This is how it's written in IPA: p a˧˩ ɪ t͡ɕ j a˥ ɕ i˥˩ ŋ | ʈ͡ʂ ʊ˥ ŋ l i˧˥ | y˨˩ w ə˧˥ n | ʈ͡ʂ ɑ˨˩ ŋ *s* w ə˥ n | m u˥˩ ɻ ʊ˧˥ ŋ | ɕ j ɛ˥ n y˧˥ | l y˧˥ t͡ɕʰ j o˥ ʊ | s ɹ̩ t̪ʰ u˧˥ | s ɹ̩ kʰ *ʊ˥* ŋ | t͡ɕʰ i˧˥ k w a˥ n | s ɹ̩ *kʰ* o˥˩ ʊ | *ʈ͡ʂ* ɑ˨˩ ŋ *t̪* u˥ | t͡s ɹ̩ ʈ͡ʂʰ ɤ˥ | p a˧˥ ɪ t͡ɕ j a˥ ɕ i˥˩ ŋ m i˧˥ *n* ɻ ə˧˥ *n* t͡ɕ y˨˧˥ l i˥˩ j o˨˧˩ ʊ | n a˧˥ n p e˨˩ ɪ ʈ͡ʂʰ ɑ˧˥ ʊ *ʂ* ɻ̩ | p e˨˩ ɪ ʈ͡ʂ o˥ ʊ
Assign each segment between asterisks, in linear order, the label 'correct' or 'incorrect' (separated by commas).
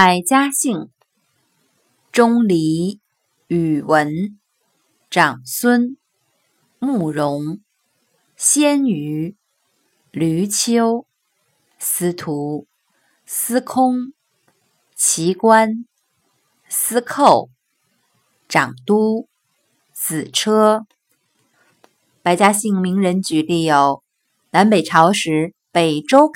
correct, correct, correct, correct, correct, incorrect, correct, correct